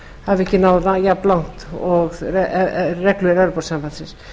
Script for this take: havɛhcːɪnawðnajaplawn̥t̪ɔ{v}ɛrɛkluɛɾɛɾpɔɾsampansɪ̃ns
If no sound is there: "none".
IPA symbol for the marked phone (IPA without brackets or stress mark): ɣ